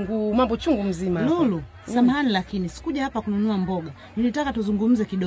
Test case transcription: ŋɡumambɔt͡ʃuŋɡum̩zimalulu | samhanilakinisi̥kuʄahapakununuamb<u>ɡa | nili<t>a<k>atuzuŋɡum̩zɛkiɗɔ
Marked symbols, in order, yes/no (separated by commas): no, yes, yes